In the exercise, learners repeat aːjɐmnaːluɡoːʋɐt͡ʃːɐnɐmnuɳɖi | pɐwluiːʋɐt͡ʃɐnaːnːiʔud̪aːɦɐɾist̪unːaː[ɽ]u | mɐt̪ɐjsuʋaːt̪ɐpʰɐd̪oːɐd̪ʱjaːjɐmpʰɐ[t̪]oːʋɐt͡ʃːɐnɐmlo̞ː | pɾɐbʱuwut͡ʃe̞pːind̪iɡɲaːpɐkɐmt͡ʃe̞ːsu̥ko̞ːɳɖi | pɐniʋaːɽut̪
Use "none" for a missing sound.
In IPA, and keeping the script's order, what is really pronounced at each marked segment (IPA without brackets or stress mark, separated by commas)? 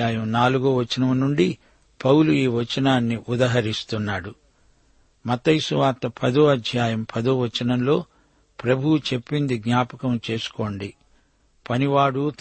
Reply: ɽ, d̪